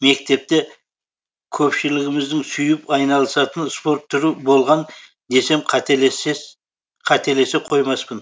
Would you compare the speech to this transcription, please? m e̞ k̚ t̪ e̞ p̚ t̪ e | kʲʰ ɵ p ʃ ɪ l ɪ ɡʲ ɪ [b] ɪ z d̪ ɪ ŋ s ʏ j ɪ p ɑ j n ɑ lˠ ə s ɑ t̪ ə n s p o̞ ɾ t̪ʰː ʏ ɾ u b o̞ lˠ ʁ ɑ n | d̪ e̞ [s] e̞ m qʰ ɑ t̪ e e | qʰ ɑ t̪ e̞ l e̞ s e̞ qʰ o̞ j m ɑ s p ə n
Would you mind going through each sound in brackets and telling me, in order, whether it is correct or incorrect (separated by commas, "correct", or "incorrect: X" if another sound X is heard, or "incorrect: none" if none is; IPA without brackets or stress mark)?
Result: incorrect: m, correct